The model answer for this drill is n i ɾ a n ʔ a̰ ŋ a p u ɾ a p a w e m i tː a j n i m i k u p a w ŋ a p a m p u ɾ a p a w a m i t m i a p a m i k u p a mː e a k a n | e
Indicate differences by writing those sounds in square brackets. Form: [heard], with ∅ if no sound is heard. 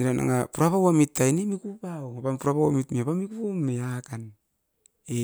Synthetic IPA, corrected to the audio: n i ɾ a n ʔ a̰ ŋ a p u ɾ a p a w [a] m i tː a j n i m i k u p a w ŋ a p a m p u ɾ a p a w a m i t m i a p a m i k u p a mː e a k a n | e